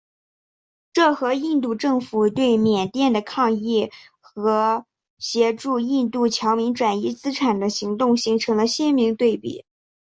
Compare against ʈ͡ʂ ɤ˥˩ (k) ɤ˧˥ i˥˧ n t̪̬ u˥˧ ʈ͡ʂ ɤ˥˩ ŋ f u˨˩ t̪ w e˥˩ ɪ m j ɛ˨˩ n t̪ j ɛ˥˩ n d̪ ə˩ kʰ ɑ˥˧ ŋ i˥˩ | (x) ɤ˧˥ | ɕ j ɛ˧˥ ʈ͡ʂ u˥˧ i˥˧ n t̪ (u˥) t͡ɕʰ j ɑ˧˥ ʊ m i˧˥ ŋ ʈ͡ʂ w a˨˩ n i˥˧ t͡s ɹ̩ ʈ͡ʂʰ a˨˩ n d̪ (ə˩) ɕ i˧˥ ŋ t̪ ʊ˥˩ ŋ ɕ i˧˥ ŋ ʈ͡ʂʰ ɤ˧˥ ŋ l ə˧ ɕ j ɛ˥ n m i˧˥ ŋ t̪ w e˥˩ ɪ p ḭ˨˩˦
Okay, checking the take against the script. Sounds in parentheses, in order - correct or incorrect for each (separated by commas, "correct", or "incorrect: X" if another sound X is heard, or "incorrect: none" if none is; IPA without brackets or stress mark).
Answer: incorrect: x, correct, incorrect: u˥˩, incorrect: ə˦